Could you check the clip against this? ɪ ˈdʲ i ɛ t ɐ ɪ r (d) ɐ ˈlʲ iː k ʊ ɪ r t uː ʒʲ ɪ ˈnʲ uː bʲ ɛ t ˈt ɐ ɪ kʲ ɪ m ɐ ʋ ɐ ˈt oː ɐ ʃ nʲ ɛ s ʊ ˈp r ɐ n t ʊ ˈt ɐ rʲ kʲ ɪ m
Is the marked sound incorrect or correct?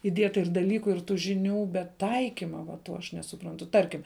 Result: correct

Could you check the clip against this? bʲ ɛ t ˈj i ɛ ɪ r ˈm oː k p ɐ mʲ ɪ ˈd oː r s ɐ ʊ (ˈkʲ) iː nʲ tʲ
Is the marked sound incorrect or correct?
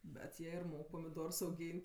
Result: incorrect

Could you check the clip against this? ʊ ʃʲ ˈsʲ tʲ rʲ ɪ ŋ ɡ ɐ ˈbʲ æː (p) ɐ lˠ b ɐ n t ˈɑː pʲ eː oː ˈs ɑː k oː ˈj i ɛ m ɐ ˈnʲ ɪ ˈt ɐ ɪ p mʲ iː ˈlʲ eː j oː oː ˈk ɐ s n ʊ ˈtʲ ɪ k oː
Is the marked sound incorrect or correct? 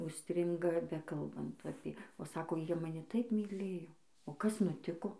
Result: incorrect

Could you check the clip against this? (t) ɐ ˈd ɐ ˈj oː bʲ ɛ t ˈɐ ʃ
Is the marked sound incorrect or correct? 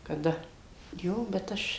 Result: incorrect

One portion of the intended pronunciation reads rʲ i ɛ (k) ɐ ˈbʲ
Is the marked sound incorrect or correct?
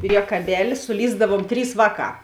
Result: correct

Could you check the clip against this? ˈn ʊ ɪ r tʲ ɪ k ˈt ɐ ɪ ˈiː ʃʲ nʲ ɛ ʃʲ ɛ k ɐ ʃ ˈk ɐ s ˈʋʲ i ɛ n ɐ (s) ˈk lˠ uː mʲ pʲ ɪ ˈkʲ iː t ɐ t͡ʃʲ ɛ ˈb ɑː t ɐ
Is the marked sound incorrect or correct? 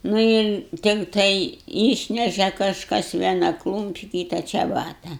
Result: incorrect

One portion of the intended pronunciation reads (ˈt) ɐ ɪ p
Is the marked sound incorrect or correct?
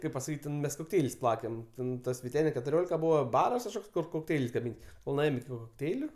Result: incorrect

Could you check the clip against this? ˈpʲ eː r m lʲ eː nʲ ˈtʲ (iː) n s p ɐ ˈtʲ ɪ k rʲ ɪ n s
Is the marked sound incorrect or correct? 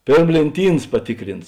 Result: correct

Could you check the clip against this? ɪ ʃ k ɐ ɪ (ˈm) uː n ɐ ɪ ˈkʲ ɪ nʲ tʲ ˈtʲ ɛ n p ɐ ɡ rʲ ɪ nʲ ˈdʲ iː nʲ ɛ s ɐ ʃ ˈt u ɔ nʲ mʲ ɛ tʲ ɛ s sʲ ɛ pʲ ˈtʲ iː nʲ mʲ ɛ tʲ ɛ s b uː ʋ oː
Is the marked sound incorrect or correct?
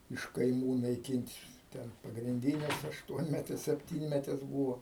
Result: correct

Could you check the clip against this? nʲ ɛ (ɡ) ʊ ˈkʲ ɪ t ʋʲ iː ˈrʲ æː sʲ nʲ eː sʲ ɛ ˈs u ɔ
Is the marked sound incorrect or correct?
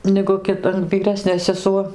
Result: correct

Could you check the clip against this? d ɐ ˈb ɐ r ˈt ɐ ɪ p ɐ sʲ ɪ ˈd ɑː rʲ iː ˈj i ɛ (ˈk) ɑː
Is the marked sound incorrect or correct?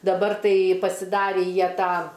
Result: incorrect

